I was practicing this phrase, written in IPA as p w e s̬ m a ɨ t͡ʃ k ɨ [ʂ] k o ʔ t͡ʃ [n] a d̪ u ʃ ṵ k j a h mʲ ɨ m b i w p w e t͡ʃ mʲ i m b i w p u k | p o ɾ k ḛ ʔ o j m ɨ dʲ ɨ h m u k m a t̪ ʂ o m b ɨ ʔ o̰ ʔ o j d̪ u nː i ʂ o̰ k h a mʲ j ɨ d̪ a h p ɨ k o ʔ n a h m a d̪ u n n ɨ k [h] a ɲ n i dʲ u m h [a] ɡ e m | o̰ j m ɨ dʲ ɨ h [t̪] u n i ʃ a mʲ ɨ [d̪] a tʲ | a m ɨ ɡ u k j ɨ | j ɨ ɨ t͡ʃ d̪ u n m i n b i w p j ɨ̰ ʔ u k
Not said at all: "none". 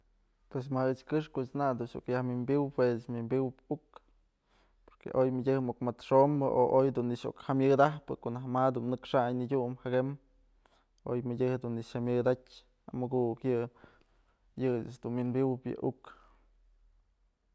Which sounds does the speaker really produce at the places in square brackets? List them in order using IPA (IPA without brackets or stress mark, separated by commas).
ʂ, n, ʂ, a, d̪, d̪